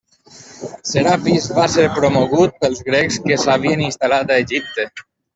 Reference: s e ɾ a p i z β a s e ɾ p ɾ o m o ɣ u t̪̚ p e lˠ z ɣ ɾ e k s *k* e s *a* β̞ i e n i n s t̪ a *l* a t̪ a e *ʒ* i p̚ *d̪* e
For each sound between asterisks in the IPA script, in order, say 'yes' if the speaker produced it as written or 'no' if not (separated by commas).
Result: yes, yes, yes, yes, no